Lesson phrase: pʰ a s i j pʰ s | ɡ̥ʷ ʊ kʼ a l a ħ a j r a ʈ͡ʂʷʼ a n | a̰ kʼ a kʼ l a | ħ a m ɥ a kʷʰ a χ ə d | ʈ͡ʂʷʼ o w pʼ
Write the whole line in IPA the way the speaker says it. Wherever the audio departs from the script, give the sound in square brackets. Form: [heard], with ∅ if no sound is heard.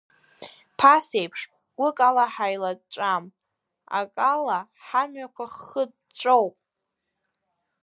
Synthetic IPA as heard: pʰ a s [e] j pʰ [ʂ] | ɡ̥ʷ ʊ kʼ a l a ħ a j [l] a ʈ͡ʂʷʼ a [m] | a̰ kʼ a [∅] l a | ħ a m ɥ a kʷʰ a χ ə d | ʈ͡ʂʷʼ o w pʼ